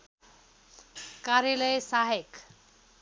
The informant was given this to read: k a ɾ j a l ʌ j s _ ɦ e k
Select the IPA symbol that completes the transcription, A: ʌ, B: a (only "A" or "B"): B